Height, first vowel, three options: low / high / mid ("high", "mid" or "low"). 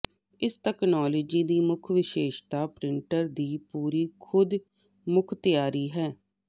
high